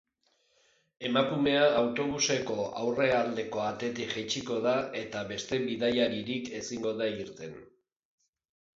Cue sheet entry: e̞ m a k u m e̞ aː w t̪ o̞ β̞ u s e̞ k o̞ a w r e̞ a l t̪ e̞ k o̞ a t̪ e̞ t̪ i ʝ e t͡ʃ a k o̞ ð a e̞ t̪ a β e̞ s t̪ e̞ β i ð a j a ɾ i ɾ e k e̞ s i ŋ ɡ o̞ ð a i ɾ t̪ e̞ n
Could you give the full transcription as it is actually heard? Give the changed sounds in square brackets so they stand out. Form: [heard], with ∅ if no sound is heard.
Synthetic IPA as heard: e̞ m a k u m e̞ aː w t̪ o̞ β̞ u s e̞ k o̞ a w r e̞ a l [d̪] e̞ k o̞ a t̪ e̞ t̪ i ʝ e t͡ʃ [i] k o̞ ð a e̞ t̪ a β e̞ s t̪ e̞ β i ð a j a ɾ i ɾ [i] k e̞ s i ŋ ɡ o̞ ð a i ɾ t̪ e̞ n